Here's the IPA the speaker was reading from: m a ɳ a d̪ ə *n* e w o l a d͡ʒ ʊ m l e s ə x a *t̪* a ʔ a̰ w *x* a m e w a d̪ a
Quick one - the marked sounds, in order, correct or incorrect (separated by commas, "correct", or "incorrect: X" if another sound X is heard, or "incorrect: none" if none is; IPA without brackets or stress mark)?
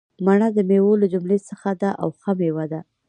incorrect: m, incorrect: d̪, correct